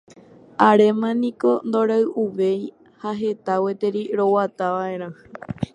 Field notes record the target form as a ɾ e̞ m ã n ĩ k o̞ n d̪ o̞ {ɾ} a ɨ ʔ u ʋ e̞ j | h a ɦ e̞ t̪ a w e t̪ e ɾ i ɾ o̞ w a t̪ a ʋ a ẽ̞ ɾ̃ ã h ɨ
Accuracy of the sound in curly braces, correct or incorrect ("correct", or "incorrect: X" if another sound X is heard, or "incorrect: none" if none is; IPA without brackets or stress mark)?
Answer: correct